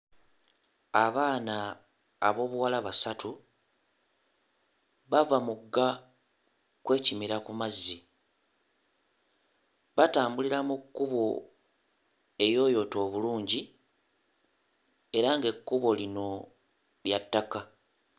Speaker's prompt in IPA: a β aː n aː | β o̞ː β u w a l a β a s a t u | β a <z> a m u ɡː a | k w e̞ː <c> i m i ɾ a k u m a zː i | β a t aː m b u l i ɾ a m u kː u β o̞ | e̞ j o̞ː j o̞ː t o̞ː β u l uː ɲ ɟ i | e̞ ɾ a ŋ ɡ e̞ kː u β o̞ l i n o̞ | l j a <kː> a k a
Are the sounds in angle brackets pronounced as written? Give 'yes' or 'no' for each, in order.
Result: no, yes, no

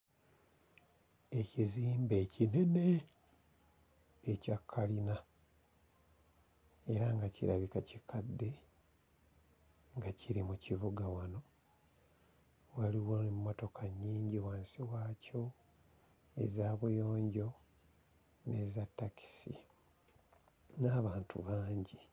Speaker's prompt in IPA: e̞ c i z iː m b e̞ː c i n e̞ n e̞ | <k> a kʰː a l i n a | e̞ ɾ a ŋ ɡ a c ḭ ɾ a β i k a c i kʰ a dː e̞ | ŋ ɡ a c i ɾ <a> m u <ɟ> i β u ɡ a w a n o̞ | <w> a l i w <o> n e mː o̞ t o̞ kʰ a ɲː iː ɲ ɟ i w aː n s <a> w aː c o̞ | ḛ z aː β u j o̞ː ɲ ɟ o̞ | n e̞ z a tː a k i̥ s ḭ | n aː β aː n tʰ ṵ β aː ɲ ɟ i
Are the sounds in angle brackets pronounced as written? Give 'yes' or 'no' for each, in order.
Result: no, no, no, yes, yes, no

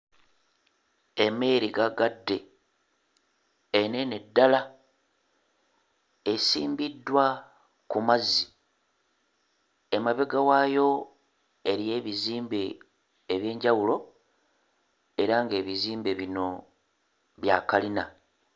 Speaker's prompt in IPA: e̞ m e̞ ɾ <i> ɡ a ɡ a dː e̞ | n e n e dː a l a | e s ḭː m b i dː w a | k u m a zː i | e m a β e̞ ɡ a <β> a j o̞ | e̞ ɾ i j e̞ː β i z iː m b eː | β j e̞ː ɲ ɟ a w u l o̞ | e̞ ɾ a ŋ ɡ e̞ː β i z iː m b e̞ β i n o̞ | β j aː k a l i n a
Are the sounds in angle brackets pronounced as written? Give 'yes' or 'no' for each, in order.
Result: yes, no

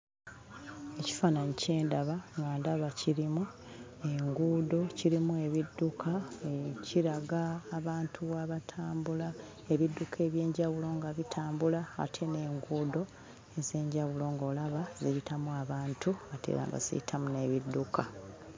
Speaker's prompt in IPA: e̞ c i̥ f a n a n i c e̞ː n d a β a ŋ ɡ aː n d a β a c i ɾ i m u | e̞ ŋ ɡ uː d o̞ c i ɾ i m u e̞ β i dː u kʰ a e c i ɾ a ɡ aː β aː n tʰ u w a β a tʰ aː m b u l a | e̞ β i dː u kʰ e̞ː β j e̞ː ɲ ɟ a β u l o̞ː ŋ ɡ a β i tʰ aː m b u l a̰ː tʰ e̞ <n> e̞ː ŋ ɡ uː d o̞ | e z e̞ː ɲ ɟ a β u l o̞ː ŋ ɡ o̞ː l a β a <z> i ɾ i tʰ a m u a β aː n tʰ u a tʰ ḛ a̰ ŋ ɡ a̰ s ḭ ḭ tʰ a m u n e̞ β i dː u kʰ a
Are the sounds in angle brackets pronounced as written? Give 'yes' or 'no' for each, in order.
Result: yes, yes

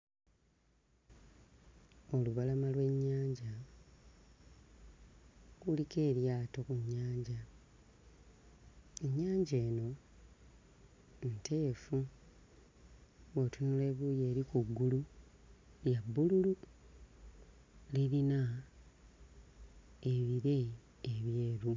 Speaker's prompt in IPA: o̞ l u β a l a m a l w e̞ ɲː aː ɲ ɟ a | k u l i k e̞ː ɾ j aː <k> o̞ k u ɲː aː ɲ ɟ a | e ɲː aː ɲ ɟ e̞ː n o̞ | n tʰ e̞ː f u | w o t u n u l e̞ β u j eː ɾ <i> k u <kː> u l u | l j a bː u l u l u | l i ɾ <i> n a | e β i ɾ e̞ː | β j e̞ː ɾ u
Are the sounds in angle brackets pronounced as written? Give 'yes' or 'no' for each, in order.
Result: no, yes, no, yes

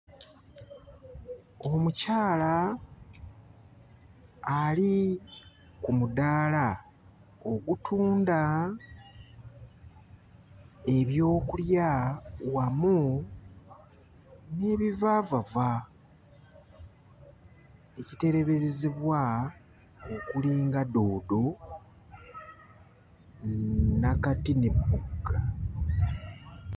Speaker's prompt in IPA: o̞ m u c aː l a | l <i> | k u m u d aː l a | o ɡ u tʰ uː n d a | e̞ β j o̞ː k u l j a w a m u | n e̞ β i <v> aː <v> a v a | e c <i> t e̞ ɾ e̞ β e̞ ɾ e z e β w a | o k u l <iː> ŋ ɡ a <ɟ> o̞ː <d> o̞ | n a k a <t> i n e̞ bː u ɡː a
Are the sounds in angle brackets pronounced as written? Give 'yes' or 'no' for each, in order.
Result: yes, yes, yes, yes, yes, no, yes, yes

